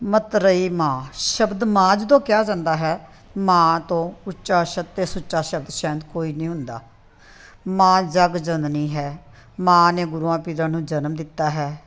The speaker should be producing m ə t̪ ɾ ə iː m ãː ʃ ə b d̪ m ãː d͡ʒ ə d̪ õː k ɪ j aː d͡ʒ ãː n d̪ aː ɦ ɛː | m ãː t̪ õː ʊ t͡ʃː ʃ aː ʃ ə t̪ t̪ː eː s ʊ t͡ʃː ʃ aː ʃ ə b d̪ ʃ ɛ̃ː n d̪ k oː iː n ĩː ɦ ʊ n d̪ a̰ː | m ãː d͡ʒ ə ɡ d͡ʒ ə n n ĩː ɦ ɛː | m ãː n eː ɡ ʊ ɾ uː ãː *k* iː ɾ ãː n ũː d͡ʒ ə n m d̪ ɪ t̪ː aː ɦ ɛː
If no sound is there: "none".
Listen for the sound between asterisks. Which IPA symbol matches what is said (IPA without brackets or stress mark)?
p